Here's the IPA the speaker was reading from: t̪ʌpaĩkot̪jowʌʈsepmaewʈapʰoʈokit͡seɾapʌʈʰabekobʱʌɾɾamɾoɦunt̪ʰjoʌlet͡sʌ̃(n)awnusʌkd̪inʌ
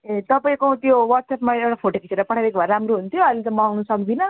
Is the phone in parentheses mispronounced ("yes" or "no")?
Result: yes